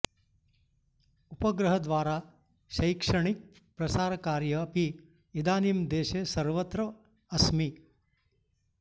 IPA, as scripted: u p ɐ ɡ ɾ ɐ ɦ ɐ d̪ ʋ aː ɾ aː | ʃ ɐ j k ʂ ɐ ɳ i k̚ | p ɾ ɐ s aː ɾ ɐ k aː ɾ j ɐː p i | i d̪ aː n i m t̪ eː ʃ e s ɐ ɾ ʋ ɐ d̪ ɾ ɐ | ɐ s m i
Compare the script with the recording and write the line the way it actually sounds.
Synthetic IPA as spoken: u p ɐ ɡ ɾ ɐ ɦ ɐ d̪ ʋ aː ɾ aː | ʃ ɐ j k ʂ ɐ ɳ i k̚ | p ɾ ɐ s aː ɾ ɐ k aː ɾ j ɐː p i | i d̪ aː n i m d̪ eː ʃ e s ɐ ɾ ʋ ɐ t̪ ɾ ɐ | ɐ s m i

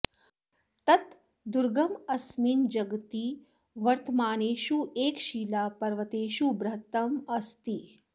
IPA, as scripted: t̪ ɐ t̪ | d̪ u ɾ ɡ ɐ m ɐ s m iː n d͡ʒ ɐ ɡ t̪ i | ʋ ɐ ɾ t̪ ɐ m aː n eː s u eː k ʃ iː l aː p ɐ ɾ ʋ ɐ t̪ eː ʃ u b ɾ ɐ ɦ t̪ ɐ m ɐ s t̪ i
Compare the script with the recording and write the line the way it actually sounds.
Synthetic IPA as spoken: t̪ ɐ t̪ | d̪ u ɾ ɡ ɐ m ɐ s m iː n d͡ʒ ɐ ɡ t̪ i | ʋ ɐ ɾ t̪ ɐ m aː n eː ʃ u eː k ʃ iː l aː p ɐ ɾ ʋ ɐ t̪ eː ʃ u b ɾ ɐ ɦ t̪ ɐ m ɐ s t̪ i

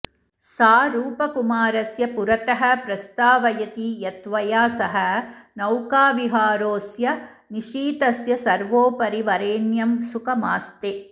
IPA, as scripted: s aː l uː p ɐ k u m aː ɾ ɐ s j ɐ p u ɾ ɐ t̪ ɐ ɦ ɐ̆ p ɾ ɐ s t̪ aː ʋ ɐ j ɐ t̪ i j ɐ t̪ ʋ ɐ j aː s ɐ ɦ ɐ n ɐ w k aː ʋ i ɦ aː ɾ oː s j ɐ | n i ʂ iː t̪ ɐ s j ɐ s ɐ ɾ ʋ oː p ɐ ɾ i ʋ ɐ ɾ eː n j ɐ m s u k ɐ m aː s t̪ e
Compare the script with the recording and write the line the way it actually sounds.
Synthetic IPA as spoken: s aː ɾ uː p ɐ k u m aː ɾ ɐ s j ɐ p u ɾ ɐ t̪ ɐ ɦ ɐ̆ p ɾ ɐ s t̪ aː ʋ ɐ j ɐ t̪ i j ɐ t̪ ʋ ɐ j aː s ɐ ɦ ɐ n ɐ w k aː ʋ i ɦ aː ɾ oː s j ɐ | n i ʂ iː t̪ ɐ s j ɐ s ɐ ɾ ʋ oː p ɐ ɾ i ʋ ɐ ɾ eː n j ɐ m s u k ɐ m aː s t̪ e

